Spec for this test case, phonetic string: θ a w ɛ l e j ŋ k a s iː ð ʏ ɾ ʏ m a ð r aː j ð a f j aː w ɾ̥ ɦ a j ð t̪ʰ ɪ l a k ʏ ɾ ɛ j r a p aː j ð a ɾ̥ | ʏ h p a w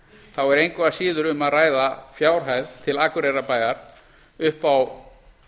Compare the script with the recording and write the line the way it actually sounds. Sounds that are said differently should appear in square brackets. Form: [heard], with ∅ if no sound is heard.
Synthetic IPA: θ a w ɛ [ɾ] e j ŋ k a s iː ð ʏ ɾ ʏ m a ð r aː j ð a f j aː w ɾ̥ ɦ a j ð t̪ʰ ɪ l a k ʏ ɾ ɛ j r a p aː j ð a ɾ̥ | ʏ h p a w